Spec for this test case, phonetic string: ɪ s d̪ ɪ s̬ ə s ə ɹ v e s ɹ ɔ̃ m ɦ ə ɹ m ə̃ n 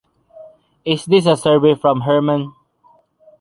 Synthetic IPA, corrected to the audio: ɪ s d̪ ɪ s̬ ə s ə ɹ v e f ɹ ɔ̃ m ɦ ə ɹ m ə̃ n